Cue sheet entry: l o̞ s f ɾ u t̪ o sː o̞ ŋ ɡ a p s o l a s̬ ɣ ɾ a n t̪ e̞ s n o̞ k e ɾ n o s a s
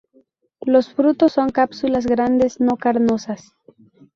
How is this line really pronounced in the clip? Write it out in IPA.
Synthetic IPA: l o̞ s f ɾ u t̪ o sː o̞ ŋ k a p s u l a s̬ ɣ ɾ a n d̪ e̞ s n o̞ k a ɾ n o s a s